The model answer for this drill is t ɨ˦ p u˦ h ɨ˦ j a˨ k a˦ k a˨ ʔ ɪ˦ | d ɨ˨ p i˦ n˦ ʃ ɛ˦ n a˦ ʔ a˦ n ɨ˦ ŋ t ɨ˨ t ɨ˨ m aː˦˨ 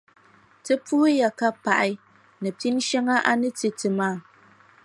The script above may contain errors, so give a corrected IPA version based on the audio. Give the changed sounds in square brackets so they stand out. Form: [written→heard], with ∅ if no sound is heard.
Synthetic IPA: t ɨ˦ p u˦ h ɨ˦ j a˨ k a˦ [k→p] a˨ ʔ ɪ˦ | [d→n] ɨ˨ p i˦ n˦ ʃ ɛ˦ [n→ŋ] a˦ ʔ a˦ n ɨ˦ [ŋ→∅] t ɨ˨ t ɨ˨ m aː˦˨